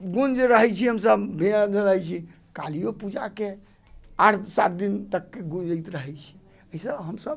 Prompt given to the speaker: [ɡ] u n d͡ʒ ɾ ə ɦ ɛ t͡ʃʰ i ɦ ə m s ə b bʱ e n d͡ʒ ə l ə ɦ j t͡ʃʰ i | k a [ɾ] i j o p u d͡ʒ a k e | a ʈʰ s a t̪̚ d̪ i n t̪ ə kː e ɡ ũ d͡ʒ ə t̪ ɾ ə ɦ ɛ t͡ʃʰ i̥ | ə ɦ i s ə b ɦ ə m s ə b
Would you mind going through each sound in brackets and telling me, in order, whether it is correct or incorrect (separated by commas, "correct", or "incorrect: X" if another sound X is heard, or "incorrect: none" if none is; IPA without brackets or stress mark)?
correct, incorrect: l